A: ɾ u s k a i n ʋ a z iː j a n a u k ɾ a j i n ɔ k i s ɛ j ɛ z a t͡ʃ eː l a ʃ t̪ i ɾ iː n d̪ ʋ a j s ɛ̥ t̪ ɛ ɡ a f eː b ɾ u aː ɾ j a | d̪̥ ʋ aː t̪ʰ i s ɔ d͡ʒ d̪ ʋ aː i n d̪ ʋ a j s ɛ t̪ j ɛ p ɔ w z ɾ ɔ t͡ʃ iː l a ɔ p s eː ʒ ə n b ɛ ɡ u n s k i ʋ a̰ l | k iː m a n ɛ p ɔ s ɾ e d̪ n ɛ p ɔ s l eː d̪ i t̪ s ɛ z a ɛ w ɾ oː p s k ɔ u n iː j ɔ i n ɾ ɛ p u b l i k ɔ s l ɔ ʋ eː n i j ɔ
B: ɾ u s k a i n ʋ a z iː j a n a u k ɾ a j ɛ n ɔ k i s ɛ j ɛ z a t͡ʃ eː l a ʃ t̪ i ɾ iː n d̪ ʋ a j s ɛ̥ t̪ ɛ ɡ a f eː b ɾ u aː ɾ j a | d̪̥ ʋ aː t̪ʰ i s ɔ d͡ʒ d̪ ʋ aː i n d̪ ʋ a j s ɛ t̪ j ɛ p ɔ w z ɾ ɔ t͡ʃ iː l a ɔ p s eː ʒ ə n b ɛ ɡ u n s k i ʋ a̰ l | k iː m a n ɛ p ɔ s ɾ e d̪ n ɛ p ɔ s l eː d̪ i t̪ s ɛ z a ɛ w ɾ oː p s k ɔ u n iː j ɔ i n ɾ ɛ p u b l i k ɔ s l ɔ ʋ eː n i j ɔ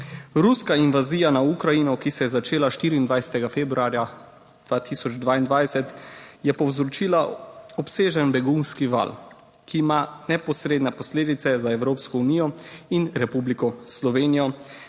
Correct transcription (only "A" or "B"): A